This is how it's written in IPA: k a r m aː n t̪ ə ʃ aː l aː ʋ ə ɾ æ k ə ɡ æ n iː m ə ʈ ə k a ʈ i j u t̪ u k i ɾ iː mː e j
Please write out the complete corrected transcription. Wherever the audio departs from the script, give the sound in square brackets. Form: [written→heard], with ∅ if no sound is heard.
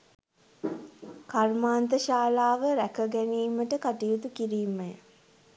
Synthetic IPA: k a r m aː n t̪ ə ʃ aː l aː ʋ ə ɾ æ k ə ɡ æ n iː m ə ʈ ə k a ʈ i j u t̪ u k i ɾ iː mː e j